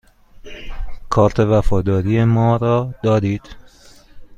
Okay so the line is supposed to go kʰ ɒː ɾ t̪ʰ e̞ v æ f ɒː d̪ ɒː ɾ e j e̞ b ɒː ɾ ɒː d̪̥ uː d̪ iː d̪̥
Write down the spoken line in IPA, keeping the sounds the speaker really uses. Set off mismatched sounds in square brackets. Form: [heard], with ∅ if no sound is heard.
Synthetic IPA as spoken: kʰ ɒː ɾ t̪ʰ e̞ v æ f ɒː d̪ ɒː ɾ [i] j e̞ [m] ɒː ɾ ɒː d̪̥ [ɒː] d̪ iː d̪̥